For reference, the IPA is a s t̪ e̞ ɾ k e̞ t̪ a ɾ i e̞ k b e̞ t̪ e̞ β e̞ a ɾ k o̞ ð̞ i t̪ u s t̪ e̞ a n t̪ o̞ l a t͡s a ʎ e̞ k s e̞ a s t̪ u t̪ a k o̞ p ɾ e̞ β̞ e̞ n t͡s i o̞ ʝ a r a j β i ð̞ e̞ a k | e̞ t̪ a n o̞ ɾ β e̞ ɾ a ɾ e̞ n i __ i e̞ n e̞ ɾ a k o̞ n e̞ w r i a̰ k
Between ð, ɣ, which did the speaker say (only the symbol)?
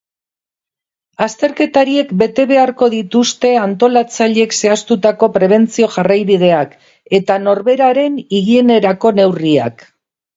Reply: ɣ